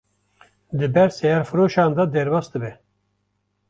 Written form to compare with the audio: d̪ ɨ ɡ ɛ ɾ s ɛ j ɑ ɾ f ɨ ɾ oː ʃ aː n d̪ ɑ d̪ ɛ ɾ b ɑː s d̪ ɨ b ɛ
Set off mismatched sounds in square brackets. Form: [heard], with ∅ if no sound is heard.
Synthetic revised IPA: d̪ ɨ [b] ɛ ɾ s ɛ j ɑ ɾ f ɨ ɾ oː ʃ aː n d̪ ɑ d̪ ɛ ɾ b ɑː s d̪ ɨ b ɛ